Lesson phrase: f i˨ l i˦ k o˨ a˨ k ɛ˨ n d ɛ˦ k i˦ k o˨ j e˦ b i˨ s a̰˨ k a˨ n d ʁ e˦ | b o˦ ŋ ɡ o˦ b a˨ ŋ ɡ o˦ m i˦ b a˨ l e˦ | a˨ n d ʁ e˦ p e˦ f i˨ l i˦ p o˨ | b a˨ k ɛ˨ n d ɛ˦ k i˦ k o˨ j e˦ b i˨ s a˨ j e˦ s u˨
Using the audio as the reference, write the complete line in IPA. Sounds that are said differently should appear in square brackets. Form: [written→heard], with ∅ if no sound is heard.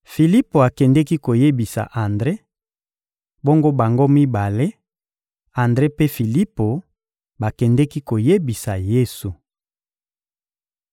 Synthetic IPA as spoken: f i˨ l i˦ [k→p] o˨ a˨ k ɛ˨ n d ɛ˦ k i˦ k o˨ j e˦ b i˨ s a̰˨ [k→ʔ] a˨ n d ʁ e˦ | b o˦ ŋ ɡ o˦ b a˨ ŋ ɡ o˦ m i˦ b a˨ l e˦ | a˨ n d ʁ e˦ p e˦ f i˨ l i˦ p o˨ | b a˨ k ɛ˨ n d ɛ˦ k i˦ k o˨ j e˦ b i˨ s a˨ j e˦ s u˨

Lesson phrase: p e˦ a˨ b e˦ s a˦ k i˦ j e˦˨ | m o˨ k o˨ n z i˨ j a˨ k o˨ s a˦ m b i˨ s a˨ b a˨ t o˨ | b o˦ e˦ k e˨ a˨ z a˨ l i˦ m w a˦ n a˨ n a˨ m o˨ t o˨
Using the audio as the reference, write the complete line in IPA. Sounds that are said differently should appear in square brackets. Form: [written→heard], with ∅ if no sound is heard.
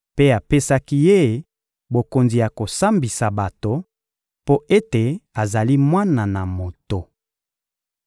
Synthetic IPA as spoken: p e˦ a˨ [b→p] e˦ s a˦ k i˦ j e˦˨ | [m→b] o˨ k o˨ n z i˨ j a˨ k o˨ s a˦ m b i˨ s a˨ b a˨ t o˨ | [b→p] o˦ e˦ [k→t] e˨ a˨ z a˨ l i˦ m w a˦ n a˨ n a˨ m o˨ t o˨

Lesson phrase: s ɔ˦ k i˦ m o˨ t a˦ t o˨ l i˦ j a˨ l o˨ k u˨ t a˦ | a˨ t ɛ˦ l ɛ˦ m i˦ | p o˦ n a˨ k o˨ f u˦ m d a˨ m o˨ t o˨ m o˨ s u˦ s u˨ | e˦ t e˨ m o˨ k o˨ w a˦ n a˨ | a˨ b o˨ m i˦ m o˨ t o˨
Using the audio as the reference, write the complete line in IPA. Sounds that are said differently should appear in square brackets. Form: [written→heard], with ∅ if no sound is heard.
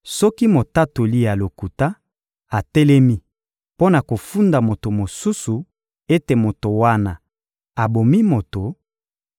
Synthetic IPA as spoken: s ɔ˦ k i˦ m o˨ t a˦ t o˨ l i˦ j a˨ l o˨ k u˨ t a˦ | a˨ t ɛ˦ l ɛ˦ m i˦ | p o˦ n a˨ k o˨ f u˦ [m→n] d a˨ m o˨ t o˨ m o˨ s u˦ s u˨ | e˦ t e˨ m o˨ [k→t] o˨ w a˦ n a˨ | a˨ b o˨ m i˦ m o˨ t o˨

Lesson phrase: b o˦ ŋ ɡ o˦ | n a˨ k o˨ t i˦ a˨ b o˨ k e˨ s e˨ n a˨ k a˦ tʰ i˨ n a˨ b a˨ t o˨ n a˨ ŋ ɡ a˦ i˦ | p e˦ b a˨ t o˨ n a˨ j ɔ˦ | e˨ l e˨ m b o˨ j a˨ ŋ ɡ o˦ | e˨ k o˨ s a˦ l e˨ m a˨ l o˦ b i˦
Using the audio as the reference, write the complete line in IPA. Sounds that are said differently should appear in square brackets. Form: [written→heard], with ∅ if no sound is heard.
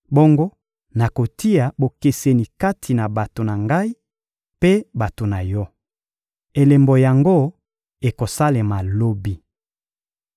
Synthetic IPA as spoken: b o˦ ŋ ɡ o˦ | n a˨ k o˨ t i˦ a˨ b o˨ k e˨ s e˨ n [a˨→i˨] k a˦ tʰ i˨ n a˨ b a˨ t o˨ n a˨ ŋ ɡ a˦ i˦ | p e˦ b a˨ t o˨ n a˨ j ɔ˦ | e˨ l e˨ m b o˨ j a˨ ŋ ɡ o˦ | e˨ k o˨ s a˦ l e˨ m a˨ l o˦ b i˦

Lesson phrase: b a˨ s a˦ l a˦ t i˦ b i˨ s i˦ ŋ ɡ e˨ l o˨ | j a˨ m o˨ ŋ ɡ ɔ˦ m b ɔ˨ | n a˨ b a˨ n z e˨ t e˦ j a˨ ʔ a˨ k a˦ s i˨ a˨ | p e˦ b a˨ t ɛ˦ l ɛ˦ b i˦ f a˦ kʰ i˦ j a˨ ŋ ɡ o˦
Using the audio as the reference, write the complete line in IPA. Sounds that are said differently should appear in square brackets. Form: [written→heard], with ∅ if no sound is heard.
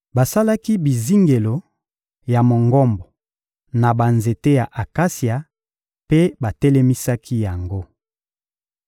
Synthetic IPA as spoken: b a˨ s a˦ l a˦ [t→k] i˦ b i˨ [s→z] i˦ ŋ ɡ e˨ l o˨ | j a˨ m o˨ ŋ ɡ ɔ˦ m b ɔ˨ | n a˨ b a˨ n z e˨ t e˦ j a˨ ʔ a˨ k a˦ s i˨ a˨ | p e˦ b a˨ t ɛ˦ l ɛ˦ [b→m] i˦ [f→s] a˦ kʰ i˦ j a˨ ŋ ɡ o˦

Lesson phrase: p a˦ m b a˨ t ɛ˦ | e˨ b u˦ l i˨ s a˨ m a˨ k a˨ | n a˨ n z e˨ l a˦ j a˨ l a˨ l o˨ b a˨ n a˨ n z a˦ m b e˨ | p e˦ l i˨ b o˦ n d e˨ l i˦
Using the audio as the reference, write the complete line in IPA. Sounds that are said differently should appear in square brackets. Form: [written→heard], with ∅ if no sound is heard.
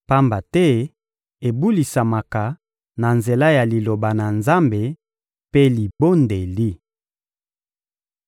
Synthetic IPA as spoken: p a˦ m b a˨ t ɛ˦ | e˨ b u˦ l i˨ s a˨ m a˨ k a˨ | n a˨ n z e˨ l a˦ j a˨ l [a˨→i˨] l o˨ b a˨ n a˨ n z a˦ m b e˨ | p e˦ l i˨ b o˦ n d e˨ l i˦

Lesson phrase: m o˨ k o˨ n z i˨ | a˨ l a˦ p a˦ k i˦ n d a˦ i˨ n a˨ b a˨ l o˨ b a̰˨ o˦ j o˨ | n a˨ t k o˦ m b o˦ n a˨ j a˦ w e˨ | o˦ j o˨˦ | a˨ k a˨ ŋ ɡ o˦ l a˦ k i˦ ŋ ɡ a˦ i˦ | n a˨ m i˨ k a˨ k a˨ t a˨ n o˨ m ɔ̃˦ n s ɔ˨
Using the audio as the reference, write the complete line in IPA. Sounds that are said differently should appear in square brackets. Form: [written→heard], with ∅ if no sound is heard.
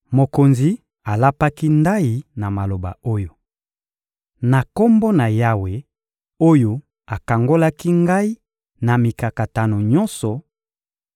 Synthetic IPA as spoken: m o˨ k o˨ n z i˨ | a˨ l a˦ p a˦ k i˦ n d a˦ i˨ n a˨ [b→m] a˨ l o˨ b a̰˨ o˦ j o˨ | n a˨ [t→∅] k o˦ m b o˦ n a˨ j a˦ w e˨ | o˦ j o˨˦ | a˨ k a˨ ŋ ɡ o˦ l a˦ k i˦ ŋ ɡ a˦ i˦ | n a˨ m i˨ k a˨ k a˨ t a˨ n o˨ [m→ɲ] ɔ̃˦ n s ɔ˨

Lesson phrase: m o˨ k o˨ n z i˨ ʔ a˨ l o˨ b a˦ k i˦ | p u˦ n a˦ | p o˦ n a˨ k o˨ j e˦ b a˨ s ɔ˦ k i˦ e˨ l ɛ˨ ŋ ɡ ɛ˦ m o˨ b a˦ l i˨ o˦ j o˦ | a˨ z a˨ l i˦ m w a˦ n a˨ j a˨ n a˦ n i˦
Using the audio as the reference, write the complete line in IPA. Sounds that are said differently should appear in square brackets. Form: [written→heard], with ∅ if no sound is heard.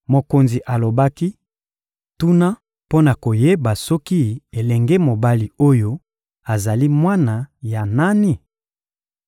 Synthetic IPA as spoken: m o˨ k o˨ n z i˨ ʔ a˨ l o˨ b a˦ k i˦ | [p→t] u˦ n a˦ | p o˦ n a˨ k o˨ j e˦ b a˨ s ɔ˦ k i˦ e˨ l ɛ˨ ŋ ɡ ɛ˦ m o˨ b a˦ l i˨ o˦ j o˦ | a˨ z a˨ l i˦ m w a˦ n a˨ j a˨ n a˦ n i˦

